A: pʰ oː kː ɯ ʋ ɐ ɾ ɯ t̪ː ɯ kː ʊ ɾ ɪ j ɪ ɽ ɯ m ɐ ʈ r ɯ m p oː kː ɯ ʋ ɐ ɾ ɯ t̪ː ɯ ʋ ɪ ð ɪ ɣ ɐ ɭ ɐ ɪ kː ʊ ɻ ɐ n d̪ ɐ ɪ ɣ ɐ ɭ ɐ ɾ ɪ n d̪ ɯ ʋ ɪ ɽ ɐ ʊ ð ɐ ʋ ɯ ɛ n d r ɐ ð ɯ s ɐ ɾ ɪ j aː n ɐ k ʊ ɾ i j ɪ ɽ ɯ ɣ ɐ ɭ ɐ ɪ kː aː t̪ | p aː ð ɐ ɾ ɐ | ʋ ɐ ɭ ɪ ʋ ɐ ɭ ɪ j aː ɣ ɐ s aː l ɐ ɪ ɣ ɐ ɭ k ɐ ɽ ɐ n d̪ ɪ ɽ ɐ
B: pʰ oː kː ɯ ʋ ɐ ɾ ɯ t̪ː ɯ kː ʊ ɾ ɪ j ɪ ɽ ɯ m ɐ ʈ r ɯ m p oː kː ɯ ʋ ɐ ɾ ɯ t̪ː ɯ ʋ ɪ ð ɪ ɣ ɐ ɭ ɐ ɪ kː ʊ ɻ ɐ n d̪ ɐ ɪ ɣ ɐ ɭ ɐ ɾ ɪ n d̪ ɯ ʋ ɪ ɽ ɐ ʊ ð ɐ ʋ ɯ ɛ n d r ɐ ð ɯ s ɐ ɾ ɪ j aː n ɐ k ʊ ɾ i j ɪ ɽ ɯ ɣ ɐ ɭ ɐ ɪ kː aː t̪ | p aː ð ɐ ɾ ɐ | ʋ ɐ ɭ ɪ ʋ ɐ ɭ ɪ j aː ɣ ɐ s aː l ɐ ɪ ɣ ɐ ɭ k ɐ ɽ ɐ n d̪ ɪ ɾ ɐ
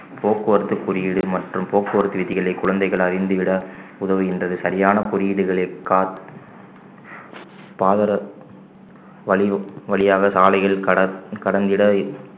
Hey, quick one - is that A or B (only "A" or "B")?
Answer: A